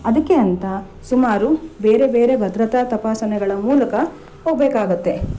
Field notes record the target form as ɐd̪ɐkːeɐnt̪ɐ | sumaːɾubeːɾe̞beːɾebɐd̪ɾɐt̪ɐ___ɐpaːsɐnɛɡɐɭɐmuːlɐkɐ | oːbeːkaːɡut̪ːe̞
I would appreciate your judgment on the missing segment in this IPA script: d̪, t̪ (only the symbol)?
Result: t̪